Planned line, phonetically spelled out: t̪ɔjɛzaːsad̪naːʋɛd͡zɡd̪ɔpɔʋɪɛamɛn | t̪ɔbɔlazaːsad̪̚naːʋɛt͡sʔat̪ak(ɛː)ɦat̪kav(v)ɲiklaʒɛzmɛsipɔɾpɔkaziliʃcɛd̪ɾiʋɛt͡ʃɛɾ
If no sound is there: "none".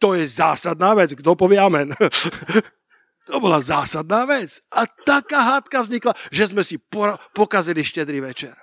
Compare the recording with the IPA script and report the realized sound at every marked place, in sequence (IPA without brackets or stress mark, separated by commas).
aː, z